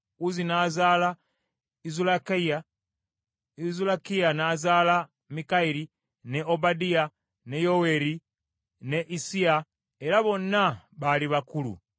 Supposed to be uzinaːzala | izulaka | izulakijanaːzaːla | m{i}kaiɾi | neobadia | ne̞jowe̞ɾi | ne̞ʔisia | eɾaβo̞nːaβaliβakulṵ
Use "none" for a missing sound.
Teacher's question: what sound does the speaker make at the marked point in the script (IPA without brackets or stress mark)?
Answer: i